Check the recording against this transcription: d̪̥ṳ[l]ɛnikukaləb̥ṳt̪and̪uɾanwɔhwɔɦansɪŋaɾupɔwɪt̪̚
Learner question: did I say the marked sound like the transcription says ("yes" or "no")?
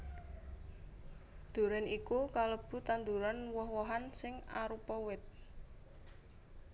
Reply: no